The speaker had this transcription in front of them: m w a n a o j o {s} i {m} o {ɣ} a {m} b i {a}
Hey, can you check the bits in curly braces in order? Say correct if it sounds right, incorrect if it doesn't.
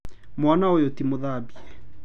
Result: incorrect: t, correct, incorrect: ð, incorrect: none, incorrect: ɛ

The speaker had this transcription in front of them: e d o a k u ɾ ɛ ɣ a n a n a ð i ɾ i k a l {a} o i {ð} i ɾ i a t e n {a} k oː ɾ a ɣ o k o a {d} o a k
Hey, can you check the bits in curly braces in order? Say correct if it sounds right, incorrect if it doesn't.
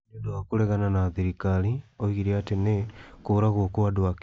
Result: incorrect: i, incorrect: ɣ, incorrect: e, correct

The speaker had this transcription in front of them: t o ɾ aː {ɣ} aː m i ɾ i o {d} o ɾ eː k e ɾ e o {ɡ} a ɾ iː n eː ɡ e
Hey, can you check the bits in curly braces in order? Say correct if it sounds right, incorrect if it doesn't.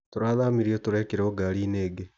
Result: incorrect: ð, incorrect: t, correct

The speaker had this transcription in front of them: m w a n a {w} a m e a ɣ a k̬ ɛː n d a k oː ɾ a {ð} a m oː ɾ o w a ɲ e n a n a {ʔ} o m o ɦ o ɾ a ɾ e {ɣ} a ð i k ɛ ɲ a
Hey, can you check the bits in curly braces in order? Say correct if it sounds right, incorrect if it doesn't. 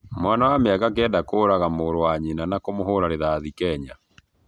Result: correct, incorrect: ɣ, incorrect: k, incorrect: ð

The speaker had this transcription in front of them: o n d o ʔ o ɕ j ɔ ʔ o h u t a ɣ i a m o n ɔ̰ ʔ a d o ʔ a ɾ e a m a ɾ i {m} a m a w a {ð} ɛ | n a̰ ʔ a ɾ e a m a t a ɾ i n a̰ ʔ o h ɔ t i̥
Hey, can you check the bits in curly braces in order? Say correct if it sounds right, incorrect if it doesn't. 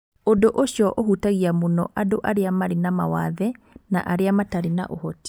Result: incorrect: n, correct

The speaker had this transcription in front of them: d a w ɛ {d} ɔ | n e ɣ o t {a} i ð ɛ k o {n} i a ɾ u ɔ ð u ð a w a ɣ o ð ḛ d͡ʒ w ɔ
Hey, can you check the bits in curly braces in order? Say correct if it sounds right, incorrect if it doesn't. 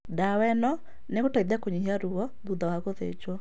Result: incorrect: n, correct, incorrect: ɲ

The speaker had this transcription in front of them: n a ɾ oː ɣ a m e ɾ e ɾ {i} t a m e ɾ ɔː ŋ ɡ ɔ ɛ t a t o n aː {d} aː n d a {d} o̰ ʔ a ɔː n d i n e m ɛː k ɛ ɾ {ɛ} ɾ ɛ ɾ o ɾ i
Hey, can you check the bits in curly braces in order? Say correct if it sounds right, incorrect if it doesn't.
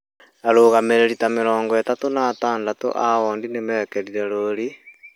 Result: correct, incorrect: t, incorrect: t, incorrect: i

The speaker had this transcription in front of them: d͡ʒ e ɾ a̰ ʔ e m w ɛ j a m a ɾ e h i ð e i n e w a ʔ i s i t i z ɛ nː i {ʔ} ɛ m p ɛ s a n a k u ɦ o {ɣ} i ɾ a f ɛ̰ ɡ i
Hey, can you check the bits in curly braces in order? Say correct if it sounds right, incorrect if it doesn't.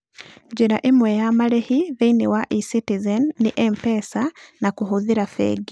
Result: correct, incorrect: ð

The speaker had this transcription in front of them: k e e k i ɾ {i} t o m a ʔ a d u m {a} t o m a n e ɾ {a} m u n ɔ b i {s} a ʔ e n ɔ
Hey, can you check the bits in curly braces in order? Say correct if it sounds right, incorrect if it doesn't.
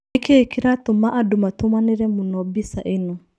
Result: incorrect: a, correct, incorrect: ɛ, correct

